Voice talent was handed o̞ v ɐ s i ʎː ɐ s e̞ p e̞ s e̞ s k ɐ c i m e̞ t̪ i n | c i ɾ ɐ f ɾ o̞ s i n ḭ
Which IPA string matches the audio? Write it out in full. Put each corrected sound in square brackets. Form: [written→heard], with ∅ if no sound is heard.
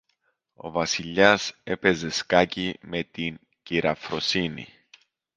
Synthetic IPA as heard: o̞ v ɐ s i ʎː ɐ s e̞ p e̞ [s→z] e̞ s k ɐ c i m e̞ t̪ i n | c i ɾ ɐ f ɾ o̞ s i n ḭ